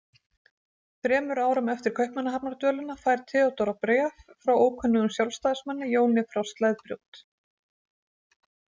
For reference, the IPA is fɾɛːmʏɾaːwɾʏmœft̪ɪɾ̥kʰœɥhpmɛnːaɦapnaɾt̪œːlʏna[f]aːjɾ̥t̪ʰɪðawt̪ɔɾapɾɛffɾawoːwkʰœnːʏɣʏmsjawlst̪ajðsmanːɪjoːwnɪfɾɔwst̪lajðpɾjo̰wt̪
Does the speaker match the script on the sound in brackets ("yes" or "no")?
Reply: yes